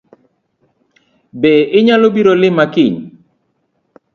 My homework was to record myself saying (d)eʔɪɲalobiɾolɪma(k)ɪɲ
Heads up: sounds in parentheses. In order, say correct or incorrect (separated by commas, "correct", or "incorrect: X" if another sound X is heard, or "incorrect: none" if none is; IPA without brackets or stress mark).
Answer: incorrect: b, correct